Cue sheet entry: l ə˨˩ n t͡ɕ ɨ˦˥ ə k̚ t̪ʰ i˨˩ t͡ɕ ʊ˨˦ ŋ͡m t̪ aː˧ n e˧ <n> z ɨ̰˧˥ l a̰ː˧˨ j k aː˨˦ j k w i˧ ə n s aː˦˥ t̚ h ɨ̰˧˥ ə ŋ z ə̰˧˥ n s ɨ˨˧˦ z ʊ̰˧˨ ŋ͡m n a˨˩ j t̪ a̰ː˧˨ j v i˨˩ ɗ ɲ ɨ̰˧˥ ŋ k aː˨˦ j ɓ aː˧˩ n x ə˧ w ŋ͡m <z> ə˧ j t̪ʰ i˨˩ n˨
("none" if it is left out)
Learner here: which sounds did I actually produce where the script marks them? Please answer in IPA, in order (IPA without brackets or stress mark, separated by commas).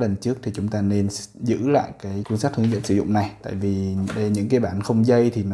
n, z